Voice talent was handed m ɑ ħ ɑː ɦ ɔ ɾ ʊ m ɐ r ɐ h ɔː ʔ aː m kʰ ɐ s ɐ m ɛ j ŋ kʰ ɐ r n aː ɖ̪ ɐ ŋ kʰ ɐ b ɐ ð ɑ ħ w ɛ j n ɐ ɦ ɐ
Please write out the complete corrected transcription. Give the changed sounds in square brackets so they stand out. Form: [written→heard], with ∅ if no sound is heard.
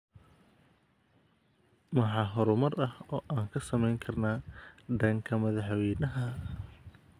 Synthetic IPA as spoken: m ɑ ħ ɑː ɦ ɔ ɾ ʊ m ɐ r ɐ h ɔː ʔ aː [m→ŋ] kʰ ɐ s ɐ m ɛ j ŋ kʰ ɐ r n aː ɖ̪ ɐ ŋ kʰ ɐ [b→m] ɐ ð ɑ ħ w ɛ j n ɐ ɦ ɐ